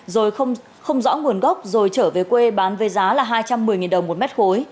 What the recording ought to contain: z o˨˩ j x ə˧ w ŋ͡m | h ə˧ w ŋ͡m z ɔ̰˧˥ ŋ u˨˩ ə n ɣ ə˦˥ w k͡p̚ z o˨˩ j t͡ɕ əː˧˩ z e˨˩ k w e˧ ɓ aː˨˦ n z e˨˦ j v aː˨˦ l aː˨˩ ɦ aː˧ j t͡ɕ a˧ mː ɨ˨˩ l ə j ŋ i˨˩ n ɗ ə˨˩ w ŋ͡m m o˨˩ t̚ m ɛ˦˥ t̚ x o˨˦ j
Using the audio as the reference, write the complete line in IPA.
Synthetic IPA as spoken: z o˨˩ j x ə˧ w ŋ͡m | x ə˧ w ŋ͡m z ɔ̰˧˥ ŋ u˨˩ ə n ɣ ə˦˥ w k͡p̚ z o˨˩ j t͡ɕ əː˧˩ v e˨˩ k w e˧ ɓ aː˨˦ n v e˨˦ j z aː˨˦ l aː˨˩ ɦ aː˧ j t͡ɕ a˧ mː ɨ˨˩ ə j ŋ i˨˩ n ɗ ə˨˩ w ŋ͡m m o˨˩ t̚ m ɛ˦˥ t̚ x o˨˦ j